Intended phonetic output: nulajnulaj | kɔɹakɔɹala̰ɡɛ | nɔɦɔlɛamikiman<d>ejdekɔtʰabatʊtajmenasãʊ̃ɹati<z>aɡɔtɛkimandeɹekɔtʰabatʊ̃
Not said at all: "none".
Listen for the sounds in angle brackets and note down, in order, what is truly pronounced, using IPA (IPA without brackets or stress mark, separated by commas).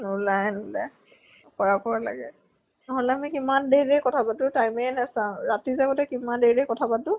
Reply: d, z